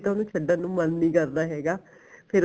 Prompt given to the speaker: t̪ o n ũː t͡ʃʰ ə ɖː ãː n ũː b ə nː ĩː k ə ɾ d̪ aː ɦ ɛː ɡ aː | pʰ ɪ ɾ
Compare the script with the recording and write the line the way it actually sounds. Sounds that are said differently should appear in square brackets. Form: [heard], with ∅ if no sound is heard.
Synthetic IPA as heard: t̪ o n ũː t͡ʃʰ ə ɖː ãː n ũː [m] ə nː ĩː k ə ɾ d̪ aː ɦ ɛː ɡ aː | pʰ ɪ ɾ